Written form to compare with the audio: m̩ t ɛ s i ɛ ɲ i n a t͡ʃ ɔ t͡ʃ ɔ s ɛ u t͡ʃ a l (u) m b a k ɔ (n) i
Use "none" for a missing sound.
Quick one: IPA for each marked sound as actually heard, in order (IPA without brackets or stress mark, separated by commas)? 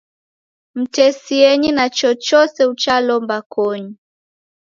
ɔ, ɲ